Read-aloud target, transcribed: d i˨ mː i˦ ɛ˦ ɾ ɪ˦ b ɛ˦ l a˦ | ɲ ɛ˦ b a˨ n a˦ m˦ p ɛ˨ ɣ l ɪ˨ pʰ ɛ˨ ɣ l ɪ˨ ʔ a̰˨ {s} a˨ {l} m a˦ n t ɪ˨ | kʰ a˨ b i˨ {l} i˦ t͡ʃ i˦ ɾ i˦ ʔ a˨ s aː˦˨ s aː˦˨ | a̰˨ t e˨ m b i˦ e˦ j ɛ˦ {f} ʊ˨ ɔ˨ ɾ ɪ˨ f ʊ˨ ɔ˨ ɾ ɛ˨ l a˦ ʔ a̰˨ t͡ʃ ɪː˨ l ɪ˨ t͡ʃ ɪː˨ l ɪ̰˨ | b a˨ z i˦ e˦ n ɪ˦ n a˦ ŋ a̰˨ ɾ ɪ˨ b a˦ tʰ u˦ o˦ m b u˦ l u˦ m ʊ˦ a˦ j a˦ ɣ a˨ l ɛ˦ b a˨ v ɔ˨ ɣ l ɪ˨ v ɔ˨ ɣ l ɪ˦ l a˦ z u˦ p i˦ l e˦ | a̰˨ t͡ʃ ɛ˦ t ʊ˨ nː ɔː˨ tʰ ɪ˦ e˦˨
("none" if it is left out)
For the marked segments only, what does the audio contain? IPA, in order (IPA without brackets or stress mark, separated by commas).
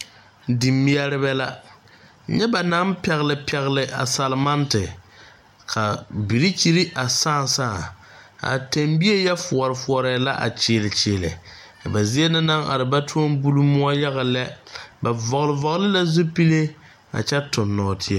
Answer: s, l, ɾ, f